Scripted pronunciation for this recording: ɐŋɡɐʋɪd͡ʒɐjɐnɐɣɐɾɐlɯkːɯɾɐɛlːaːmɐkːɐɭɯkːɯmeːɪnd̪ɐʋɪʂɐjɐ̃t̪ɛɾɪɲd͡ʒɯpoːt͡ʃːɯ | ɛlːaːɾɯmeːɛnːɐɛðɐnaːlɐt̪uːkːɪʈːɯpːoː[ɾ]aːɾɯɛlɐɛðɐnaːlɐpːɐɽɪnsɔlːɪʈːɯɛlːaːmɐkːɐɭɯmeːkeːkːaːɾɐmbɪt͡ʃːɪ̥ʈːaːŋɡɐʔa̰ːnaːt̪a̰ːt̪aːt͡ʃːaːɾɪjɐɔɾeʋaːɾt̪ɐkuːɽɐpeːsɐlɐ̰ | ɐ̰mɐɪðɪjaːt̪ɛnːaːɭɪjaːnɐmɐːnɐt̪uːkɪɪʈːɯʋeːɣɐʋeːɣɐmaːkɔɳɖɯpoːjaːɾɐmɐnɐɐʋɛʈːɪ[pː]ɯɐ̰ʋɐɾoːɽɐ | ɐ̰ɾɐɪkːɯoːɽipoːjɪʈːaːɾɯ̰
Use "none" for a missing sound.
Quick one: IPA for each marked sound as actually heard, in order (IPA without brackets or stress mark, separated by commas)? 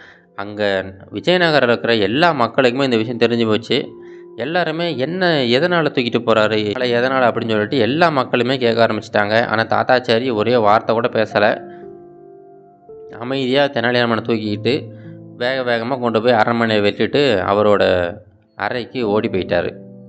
ɾ, ʈː